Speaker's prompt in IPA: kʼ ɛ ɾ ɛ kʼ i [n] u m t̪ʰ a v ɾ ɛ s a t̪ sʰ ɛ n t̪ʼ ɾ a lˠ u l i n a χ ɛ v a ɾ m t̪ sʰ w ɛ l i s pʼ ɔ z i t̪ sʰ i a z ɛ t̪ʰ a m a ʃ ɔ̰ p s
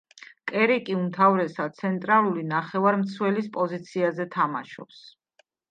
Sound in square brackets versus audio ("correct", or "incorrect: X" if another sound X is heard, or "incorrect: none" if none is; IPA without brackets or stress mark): incorrect: none